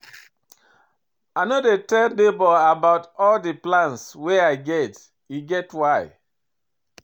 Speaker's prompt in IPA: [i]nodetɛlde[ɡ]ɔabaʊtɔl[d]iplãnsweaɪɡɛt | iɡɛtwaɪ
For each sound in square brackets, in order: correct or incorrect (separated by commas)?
incorrect, incorrect, correct